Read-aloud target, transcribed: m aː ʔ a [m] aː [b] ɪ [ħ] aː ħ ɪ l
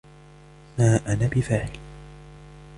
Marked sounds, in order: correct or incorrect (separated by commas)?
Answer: incorrect, correct, incorrect